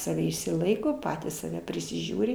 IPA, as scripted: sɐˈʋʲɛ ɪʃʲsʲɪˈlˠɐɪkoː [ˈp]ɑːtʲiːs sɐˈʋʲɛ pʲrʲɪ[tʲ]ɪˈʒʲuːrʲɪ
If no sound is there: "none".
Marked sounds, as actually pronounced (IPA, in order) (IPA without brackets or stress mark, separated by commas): p, sʲ